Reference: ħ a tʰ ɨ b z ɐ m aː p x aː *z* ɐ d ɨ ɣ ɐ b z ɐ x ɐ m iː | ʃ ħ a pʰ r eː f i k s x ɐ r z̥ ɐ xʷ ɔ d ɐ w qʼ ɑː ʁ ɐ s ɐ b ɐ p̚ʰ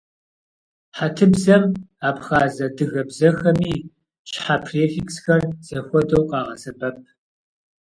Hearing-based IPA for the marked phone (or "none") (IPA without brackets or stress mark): z